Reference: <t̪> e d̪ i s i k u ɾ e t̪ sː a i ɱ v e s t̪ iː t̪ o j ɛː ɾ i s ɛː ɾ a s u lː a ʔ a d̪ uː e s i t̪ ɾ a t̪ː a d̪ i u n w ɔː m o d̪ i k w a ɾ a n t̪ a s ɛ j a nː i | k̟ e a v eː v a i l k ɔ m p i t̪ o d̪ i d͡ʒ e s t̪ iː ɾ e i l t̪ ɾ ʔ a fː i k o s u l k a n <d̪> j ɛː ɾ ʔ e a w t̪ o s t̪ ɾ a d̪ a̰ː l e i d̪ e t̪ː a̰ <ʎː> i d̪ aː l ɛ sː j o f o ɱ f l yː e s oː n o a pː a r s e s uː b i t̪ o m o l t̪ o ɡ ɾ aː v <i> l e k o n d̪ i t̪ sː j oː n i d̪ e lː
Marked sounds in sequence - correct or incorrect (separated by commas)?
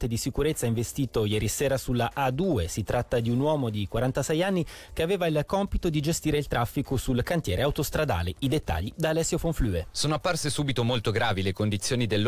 correct, incorrect, correct, correct